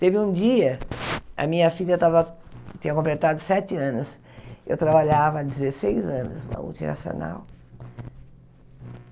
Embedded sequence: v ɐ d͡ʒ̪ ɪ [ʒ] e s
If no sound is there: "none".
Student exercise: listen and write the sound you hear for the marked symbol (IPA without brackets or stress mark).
z